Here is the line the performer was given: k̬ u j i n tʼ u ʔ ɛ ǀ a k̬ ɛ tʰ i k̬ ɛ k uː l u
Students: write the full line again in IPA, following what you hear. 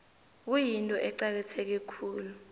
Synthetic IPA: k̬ u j i n tʼ ɔ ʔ ɛ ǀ a k̬ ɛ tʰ ɛ k̬ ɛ kʰ uː l u